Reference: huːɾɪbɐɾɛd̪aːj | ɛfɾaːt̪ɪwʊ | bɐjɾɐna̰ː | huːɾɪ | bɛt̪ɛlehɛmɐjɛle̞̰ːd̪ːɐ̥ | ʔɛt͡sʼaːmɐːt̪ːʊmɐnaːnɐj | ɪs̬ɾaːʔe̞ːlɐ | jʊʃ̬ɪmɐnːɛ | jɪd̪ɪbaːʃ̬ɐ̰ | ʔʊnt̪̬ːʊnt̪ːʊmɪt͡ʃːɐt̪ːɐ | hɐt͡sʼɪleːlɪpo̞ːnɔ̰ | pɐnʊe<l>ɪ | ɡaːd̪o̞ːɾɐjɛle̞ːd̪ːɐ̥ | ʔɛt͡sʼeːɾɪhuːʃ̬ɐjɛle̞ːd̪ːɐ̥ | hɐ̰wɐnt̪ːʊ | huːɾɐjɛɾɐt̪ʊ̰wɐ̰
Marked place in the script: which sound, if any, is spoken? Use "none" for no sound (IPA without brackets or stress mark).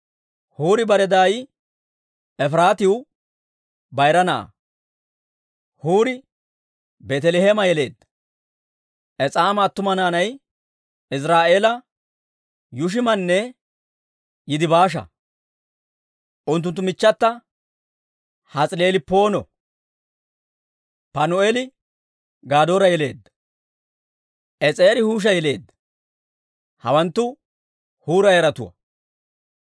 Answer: l